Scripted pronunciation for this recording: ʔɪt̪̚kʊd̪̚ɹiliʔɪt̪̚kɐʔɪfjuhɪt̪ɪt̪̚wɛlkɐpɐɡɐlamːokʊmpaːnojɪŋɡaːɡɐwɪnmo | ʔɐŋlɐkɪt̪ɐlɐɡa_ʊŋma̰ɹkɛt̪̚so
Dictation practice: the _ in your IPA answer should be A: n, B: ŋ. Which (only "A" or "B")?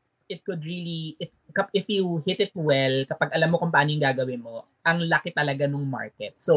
A